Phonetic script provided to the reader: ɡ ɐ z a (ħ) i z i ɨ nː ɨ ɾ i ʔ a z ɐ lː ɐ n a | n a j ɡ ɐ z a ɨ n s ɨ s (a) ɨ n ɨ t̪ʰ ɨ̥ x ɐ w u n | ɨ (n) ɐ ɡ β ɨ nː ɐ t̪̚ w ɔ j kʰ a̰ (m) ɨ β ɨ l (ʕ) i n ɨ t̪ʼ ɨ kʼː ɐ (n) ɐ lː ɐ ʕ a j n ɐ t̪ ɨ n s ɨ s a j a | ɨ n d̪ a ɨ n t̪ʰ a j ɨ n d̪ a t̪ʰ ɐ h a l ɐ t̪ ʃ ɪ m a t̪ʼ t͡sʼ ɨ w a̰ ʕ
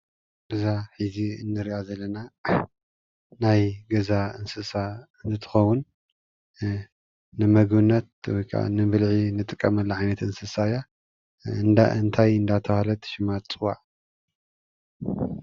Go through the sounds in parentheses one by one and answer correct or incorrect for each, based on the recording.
correct, correct, incorrect, incorrect, correct, incorrect

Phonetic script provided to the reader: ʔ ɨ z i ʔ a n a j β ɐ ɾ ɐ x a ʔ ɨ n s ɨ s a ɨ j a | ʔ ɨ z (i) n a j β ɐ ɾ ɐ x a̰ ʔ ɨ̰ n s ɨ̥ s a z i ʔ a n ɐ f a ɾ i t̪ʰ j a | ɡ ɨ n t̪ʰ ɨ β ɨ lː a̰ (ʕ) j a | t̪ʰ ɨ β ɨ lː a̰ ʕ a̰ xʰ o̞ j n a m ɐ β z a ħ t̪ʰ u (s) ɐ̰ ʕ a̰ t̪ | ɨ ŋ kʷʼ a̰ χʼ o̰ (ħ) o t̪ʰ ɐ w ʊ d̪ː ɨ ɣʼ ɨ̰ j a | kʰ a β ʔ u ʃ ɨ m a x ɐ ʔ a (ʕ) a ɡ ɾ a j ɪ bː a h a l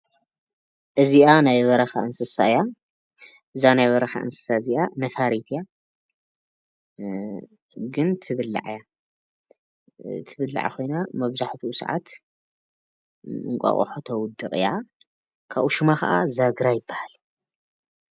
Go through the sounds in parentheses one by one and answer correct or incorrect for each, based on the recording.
incorrect, correct, correct, correct, incorrect

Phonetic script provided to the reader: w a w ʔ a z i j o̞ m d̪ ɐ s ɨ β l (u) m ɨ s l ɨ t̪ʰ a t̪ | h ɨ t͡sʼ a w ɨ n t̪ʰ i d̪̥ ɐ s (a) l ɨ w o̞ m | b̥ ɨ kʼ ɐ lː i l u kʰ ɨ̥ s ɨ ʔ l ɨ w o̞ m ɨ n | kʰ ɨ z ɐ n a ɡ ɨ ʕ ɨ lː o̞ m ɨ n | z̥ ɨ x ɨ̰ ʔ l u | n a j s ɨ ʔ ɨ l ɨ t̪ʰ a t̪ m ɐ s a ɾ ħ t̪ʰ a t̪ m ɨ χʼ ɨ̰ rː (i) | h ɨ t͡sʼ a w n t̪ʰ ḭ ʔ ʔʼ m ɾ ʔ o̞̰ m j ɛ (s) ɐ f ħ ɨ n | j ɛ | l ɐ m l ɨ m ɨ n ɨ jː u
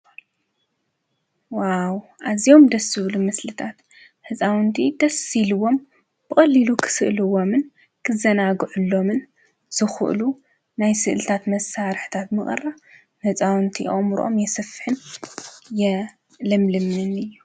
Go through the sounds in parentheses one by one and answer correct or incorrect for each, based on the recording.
correct, incorrect, incorrect, correct

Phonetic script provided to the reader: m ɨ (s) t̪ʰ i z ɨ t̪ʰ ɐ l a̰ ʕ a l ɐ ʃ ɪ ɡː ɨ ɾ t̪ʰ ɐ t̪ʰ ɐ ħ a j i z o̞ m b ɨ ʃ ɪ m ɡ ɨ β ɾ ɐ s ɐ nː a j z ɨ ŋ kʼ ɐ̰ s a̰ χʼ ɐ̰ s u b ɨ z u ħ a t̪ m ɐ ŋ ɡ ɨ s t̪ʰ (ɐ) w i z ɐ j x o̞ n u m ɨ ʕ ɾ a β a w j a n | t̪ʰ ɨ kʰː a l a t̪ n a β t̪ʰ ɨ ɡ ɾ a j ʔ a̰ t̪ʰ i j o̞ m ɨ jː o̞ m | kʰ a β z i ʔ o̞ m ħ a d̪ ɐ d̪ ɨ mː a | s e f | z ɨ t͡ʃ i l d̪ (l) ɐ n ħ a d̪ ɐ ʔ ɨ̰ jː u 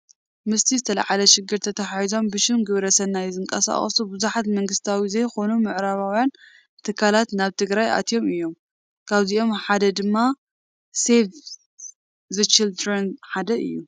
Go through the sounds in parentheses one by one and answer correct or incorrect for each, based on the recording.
correct, incorrect, incorrect

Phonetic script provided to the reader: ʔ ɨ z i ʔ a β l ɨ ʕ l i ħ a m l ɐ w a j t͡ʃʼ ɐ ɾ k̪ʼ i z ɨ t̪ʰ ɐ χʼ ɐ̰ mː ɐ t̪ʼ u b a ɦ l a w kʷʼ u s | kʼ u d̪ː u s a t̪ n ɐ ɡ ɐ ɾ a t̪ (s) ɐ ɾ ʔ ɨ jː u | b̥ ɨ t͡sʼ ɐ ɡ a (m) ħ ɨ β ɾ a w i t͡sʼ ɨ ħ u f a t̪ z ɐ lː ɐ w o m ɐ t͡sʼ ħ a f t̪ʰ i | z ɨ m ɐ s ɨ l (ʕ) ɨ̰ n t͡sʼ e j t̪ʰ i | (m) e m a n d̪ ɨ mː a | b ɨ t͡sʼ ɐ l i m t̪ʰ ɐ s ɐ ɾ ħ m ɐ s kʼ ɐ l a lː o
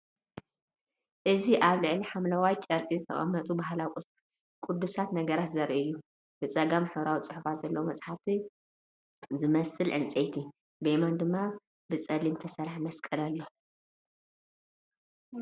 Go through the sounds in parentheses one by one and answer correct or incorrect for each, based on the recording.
incorrect, correct, correct, incorrect

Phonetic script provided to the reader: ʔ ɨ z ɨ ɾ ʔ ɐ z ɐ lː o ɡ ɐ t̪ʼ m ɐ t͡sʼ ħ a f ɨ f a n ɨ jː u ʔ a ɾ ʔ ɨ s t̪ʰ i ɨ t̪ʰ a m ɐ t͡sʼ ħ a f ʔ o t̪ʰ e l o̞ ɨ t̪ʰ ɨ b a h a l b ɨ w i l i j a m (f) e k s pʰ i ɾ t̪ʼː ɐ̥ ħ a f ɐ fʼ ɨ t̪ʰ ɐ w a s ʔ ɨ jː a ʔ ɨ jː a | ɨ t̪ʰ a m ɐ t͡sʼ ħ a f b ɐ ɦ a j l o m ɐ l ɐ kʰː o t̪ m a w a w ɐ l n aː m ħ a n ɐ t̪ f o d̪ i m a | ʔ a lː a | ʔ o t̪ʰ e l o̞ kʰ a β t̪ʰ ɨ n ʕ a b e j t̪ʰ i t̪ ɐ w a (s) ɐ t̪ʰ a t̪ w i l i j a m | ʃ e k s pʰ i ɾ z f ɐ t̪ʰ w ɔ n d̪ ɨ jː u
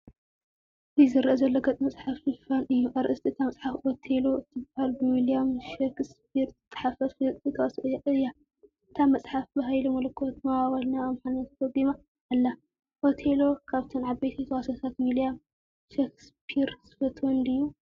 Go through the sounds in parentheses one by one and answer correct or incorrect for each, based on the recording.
incorrect, correct

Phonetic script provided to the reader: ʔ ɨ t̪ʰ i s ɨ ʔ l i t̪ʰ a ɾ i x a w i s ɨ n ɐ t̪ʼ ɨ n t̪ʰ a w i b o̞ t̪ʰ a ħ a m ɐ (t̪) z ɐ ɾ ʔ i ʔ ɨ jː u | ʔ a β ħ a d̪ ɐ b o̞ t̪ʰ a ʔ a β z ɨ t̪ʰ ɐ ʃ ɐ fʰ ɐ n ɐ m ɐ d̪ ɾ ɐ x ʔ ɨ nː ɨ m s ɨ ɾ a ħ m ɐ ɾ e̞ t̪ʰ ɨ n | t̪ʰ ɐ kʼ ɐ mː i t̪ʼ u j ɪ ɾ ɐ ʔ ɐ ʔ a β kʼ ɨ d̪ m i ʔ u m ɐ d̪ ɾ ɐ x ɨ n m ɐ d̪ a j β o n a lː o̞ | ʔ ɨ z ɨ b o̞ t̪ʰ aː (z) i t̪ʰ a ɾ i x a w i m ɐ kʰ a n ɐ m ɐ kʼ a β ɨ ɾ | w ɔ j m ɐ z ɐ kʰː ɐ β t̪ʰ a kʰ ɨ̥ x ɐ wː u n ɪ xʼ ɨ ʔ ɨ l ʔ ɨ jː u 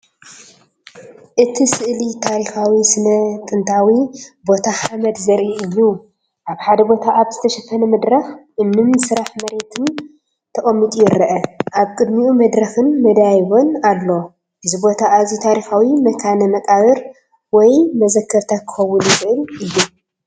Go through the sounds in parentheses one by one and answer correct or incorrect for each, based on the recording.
incorrect, correct

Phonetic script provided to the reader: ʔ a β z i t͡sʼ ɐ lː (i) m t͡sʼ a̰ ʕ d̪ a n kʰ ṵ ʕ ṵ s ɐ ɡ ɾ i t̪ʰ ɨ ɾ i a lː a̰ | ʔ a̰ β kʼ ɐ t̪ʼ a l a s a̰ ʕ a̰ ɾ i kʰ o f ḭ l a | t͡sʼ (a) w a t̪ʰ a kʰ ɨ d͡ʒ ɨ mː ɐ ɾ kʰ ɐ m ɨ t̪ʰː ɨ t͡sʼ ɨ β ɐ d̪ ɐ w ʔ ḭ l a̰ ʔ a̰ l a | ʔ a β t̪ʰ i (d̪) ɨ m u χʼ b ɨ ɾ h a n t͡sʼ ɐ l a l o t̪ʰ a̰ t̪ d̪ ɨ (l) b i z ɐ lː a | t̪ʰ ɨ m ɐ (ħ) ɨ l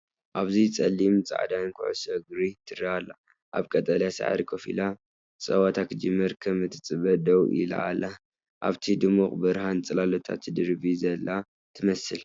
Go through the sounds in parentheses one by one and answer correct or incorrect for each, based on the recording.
correct, incorrect, correct, incorrect, incorrect

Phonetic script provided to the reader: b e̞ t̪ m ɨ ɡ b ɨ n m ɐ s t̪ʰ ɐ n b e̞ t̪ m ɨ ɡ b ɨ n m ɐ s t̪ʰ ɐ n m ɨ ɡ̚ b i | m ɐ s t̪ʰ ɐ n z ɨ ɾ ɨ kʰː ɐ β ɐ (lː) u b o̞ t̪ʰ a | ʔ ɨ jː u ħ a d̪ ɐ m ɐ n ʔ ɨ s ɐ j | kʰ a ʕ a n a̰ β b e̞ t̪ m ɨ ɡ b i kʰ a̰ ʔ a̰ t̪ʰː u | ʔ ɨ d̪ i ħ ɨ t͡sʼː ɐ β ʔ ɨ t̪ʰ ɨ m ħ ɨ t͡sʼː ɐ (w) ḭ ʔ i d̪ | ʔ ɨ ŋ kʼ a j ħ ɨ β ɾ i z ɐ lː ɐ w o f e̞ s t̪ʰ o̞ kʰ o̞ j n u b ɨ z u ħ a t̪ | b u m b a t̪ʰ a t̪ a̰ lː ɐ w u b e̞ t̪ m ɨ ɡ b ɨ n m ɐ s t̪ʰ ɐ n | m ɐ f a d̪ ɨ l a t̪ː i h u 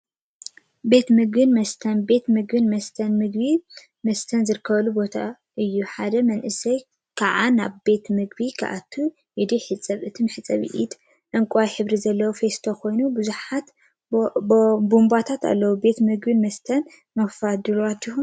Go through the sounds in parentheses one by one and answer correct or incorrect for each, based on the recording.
incorrect, incorrect

